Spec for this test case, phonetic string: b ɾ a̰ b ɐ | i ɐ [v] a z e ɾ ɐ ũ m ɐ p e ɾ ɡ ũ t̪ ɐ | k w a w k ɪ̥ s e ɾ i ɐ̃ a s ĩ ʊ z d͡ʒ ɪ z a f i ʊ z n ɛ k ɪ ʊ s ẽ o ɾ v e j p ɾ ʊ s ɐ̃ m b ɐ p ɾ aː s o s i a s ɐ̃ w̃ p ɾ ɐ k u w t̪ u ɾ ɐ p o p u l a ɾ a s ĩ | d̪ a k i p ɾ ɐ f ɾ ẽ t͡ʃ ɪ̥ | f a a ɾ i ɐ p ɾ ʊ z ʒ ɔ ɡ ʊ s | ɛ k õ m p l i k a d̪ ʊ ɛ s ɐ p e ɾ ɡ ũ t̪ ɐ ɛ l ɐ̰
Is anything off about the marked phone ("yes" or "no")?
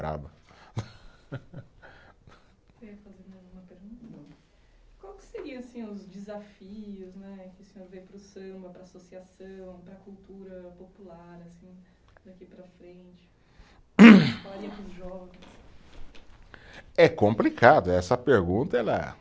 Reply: yes